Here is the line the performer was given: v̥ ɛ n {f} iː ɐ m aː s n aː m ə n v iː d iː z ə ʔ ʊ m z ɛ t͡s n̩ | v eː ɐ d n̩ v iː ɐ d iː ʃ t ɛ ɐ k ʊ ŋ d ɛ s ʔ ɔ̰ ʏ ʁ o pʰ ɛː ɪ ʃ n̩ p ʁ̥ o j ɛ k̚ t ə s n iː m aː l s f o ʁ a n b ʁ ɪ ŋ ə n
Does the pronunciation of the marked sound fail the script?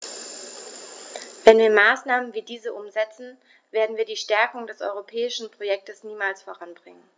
yes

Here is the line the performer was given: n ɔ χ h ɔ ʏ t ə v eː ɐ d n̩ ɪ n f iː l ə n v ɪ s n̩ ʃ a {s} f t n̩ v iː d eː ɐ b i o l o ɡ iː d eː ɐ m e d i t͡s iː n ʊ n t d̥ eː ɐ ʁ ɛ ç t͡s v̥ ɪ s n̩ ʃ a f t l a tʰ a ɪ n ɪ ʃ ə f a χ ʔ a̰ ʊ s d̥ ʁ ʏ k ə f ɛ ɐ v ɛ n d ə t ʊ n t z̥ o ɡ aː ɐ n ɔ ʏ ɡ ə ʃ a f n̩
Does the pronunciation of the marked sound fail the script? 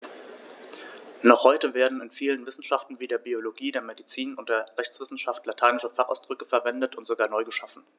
yes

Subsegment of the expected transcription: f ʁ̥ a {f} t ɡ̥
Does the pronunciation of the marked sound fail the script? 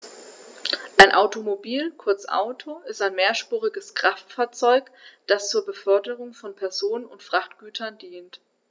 yes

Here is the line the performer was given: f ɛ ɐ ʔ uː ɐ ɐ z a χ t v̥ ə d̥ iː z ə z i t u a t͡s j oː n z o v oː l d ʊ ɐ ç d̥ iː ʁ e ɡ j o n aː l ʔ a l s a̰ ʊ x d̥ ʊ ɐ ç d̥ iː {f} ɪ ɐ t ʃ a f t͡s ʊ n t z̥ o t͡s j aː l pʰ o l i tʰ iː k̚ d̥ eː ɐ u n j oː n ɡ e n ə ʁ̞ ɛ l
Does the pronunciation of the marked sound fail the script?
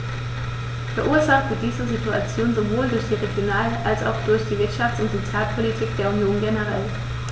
yes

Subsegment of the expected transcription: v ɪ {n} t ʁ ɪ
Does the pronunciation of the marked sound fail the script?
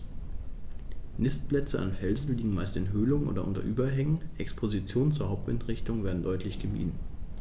no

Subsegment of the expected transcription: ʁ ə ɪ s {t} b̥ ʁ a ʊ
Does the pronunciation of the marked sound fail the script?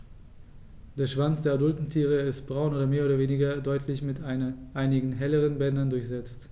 no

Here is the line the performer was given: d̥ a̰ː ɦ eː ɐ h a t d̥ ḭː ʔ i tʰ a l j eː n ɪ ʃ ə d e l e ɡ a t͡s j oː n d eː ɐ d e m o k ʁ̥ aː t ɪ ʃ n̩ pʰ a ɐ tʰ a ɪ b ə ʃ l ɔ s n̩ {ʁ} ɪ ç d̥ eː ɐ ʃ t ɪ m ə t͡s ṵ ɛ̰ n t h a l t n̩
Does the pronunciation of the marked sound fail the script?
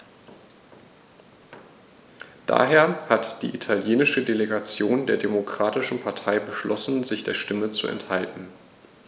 yes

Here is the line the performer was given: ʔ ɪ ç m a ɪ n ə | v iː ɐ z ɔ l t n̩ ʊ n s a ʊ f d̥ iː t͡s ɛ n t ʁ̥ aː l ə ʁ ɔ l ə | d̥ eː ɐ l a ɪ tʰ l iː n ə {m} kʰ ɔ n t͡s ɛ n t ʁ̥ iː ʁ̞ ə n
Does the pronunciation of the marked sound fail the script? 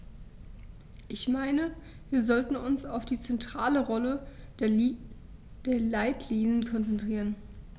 yes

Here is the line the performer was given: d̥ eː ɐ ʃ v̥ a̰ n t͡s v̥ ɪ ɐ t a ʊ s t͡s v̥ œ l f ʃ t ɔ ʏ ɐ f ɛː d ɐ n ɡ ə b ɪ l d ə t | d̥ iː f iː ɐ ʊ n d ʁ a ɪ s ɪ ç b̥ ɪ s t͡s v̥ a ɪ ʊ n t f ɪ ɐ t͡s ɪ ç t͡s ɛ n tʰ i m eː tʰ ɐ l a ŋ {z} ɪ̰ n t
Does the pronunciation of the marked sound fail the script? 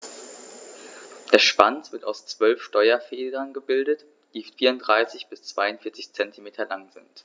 no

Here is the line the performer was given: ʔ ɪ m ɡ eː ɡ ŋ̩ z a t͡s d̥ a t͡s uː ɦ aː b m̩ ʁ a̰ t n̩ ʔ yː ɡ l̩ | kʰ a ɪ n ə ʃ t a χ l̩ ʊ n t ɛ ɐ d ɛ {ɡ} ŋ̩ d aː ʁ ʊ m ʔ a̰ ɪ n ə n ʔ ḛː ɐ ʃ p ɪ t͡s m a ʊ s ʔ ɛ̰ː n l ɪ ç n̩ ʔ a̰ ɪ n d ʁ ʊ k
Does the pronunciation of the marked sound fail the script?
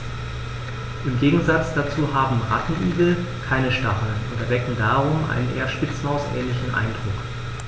yes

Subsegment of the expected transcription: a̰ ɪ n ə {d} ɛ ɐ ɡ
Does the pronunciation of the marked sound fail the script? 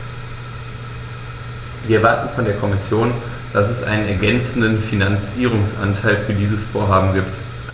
yes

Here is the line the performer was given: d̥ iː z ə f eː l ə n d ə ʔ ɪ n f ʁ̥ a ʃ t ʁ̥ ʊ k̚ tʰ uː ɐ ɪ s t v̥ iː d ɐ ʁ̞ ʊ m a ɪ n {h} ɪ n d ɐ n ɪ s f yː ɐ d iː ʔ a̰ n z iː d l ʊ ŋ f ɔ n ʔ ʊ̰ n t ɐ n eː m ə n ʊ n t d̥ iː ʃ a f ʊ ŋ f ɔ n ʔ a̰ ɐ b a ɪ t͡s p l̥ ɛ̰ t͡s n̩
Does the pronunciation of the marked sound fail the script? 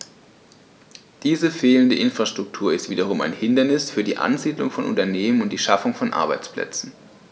no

